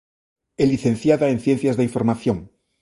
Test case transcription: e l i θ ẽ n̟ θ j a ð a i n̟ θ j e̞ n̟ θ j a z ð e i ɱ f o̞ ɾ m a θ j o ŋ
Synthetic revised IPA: e l i θ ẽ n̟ θ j a ð a e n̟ θ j e̞ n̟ θ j a z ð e i ɱ f o̞ ɾ m a θ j o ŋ